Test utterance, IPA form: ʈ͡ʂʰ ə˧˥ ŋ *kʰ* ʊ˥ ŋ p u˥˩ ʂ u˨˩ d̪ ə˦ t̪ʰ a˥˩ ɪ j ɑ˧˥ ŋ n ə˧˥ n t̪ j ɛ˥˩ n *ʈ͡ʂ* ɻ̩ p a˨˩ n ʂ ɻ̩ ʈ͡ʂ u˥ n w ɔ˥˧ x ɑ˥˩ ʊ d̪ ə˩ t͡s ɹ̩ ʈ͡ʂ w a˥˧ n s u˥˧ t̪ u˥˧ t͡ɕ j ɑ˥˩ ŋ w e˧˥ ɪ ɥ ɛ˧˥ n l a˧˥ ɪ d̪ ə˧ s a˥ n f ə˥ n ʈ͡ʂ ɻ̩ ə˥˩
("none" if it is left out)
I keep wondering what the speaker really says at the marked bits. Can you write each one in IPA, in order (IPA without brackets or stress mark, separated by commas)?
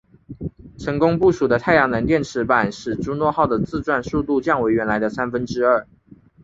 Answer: k, ʈ͡ʂʰ